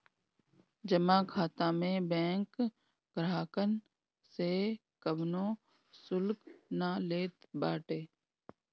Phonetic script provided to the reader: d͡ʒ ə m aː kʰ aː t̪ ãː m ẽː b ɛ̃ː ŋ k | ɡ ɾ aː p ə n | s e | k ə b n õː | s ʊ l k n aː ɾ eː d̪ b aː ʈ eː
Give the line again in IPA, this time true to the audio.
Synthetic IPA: d͡ʒ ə m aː kʰ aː t̪ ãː m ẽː b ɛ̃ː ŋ k | ɡ ɾ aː k ə n | s e | k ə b n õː | s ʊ l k n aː l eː t̪ b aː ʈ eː